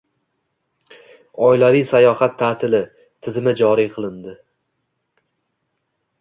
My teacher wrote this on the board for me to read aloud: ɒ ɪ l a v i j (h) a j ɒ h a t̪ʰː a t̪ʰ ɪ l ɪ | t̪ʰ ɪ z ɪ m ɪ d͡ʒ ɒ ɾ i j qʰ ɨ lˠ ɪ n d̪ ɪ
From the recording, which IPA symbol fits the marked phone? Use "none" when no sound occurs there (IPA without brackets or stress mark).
s